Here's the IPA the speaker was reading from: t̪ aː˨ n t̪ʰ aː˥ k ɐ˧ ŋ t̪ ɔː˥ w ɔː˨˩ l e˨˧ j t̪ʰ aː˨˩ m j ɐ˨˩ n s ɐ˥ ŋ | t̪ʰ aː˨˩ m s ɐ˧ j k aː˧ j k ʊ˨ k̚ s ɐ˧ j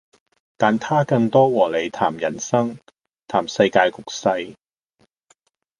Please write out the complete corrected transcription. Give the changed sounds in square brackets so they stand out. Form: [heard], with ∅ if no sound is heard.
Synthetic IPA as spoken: t̪ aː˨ n t̪ʰ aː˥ k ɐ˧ ŋ t̪ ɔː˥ w ɔː˨˩ l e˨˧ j t̪ʰ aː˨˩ m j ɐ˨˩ n s ɐ˥ ŋ | t̪ʰ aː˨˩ m s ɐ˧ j k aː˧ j k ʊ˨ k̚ s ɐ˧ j

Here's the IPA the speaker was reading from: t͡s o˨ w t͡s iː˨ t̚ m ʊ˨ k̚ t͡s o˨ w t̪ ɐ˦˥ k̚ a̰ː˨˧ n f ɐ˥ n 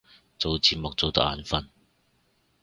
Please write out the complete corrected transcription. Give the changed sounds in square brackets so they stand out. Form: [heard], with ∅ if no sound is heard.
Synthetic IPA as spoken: t͡s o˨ w t͡s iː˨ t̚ m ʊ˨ k̚ t͡s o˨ w t̪ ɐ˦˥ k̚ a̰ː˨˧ n f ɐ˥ n

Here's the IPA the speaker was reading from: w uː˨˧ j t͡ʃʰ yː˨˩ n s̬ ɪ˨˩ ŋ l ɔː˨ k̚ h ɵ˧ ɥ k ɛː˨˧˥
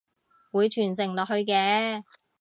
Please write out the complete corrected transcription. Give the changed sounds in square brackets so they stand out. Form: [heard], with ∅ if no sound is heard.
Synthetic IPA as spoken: w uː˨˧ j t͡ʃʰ yː˨˩ n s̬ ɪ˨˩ ŋ l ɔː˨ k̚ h ɵ˧ ɥ k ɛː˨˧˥

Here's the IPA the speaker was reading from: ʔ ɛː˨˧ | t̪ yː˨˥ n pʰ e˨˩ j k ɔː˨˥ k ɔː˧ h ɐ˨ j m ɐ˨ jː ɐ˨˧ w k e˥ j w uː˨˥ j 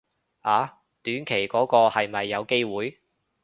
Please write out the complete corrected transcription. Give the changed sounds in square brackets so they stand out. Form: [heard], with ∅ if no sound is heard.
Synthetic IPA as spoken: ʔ [aː˨˧] | t̪ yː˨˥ n [kʰ] e˨˩ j k ɔː˨˥ k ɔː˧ h ɐ˨ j m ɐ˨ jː ɐ˨˧ w k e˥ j w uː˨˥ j

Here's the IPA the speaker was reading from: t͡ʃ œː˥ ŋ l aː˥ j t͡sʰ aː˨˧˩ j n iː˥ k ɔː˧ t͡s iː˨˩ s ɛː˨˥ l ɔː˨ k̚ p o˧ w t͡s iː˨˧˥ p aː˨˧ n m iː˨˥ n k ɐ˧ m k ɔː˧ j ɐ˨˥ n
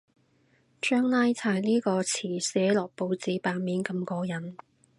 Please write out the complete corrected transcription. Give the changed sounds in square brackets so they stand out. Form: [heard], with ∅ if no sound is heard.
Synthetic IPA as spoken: t͡ʃ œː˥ ŋ l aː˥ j t͡sʰ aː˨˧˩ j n iː˥ k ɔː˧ [t͡sʰ] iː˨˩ s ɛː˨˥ l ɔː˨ k̚ p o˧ w t͡s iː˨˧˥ p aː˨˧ n m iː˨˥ n k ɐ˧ m k ɔː˧ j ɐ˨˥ n

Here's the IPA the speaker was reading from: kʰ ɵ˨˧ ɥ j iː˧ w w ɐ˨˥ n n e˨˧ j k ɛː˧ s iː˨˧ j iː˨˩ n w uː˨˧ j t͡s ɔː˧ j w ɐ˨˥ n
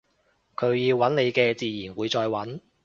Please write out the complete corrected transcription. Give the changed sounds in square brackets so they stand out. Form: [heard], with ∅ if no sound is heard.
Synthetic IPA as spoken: kʰ ɵ˨˧ ɥ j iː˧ w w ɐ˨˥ n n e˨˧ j k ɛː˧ [t͡s] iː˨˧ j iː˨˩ n w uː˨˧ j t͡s ɔː˧ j w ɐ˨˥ n

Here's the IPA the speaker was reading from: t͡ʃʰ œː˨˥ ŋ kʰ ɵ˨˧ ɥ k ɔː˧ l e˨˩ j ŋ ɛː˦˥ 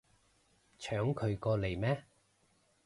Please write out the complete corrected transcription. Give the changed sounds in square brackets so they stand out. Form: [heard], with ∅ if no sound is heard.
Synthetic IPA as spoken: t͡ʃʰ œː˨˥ ŋ kʰ ɵ˨˧ ɥ k ɔː˧ l e˨˩ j [m] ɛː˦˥

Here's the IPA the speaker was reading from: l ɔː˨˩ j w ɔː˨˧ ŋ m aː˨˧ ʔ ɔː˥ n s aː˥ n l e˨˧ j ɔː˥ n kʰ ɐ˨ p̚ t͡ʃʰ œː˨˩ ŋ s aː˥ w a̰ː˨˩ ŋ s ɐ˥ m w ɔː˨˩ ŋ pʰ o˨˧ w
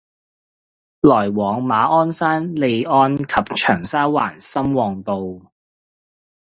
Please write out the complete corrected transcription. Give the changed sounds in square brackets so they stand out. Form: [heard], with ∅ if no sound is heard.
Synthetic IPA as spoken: l ɔː˨˩ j w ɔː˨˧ ŋ m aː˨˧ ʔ ɔː˥ n s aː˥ n l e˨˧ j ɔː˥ n kʰ ɐ˨ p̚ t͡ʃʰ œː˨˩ ŋ s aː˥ w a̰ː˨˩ [n] s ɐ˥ m w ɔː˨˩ ŋ [p] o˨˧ w

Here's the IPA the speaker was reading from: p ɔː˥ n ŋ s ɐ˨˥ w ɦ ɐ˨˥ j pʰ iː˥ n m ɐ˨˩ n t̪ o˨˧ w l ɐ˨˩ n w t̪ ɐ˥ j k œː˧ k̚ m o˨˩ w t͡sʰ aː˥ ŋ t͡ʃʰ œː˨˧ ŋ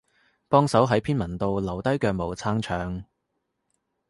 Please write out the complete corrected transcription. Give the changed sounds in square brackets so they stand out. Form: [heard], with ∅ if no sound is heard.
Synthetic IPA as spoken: p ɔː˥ [∅] ŋ s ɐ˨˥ w ɦ ɐ˨˥ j pʰ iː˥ n m ɐ˨˩ n t̪ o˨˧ w l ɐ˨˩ [∅] w t̪ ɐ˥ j k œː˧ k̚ m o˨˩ w t͡sʰ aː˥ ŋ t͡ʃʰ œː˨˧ ŋ

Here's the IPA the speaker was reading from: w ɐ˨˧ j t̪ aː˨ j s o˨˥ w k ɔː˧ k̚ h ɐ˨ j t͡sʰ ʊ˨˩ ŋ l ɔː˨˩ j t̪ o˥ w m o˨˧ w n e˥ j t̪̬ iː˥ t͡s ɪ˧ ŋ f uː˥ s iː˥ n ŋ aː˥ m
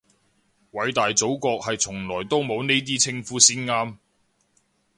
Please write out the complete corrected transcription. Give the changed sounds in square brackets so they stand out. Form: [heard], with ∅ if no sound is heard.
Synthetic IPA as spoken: w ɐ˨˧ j t̪ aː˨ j [t͡s] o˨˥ w k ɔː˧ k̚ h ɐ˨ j t͡sʰ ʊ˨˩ ŋ l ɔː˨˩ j t̪ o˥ w m o˨˧ w n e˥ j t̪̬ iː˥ [t͡sʰ] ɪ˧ ŋ f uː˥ s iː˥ n ŋ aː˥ m

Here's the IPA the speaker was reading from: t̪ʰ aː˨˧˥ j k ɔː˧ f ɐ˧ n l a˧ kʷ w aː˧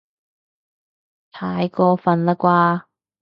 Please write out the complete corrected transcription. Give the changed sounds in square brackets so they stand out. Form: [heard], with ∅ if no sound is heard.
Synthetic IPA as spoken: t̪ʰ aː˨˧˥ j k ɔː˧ f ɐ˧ n l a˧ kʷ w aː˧

